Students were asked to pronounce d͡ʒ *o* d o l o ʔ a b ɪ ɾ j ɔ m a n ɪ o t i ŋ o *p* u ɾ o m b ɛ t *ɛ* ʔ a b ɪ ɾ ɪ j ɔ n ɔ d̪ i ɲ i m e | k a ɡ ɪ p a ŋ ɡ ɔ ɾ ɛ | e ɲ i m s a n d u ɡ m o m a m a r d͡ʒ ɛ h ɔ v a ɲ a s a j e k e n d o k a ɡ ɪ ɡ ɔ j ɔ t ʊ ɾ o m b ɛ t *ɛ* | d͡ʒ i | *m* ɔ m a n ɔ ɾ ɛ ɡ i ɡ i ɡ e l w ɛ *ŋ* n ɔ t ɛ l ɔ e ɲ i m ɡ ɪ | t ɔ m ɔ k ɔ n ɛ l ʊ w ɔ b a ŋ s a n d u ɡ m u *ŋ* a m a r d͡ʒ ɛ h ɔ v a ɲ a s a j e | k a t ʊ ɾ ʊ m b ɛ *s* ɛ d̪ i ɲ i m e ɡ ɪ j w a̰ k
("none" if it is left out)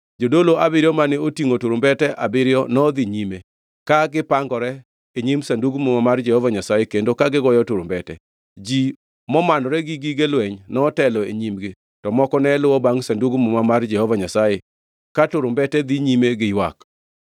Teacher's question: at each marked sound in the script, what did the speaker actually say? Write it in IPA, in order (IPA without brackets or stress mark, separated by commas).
o, t, ɛ, ɛ, m, ɲ, m, t